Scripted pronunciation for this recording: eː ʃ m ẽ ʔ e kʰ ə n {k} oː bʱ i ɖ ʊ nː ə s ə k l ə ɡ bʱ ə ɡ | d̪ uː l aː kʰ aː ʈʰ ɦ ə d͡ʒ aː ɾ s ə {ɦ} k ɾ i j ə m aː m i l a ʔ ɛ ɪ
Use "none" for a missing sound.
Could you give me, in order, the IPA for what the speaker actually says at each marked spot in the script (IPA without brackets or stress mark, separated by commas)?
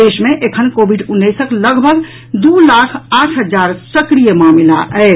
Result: k, none